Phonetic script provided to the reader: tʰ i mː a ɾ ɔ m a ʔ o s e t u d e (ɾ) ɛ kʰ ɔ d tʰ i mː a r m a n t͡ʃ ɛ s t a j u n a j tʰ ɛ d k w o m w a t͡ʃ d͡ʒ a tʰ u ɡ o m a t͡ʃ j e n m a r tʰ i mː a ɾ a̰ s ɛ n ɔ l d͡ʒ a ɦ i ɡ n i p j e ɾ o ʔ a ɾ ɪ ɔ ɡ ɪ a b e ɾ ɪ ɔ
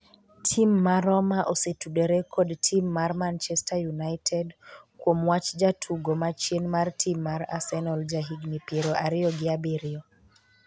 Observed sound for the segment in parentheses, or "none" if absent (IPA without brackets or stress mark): ɾ